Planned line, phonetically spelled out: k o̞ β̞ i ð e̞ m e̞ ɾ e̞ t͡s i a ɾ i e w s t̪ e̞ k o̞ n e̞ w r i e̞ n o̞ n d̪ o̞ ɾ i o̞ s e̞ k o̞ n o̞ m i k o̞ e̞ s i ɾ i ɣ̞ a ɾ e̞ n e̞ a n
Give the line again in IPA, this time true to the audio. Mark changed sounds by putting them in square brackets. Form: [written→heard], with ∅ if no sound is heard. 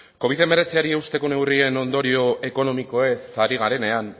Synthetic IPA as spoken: k o̞ β̞ i ð e̞ m e̞ ɾ e̞ t͡s i a ɾ i e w s t̪ e̞ k o̞ n e̞ w r i e̞ n o̞ n d̪ o̞ ɾ i o̞ [s→∅] e̞ k o̞ n o̞ m i k o̞ e̞ s [i→a] ɾ i ɣ̞ a ɾ e̞ n e̞ a n